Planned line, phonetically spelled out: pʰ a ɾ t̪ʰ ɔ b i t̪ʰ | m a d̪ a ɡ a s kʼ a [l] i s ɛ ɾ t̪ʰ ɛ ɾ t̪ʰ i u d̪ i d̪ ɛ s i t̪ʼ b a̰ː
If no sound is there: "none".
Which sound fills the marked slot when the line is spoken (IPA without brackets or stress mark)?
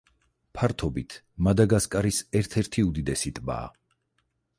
ɾ